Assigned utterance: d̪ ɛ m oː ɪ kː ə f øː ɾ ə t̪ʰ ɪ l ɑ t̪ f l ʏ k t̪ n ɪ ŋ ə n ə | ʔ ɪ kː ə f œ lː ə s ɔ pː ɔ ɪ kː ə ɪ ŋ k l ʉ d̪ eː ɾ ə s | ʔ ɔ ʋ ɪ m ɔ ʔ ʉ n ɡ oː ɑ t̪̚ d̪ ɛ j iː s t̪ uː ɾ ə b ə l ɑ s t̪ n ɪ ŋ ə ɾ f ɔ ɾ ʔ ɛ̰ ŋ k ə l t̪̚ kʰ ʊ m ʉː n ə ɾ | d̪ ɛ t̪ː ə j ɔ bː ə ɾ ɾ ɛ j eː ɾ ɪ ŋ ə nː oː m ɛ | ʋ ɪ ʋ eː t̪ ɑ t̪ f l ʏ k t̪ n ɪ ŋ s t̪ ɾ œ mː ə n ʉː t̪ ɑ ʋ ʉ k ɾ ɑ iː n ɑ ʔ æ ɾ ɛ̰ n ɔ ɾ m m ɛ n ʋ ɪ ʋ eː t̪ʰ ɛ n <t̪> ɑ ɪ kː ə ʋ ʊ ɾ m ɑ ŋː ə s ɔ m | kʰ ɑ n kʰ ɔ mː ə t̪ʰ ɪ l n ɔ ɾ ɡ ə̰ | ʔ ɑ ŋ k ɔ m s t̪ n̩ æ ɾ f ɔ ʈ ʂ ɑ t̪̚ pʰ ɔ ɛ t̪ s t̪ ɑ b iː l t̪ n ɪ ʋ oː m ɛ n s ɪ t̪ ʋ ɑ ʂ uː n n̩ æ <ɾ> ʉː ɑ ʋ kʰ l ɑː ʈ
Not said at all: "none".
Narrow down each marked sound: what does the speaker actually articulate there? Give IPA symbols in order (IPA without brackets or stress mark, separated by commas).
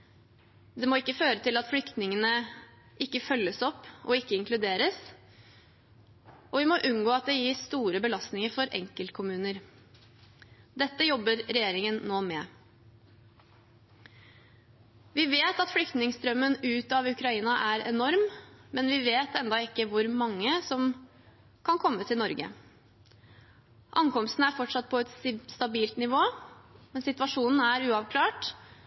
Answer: d̪, ɾ